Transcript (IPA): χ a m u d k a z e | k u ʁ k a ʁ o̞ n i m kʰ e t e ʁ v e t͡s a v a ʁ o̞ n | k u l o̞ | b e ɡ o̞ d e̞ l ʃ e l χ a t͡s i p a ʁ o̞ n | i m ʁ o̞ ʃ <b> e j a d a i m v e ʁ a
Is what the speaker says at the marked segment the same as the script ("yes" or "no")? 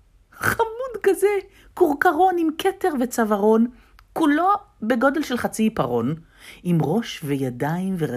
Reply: no